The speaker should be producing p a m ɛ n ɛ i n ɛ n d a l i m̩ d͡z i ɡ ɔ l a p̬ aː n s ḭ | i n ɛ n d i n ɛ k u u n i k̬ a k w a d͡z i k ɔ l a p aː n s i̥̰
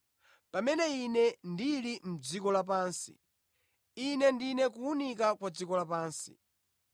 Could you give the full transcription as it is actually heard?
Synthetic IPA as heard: p a m ɛ n ɛ i n ɛ n d i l i m̩ d͡z i k ɔ l a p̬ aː n s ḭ | i n ɛ n d i n ɛ k u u n i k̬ a k w a d͡z i k ɔ l a p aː n s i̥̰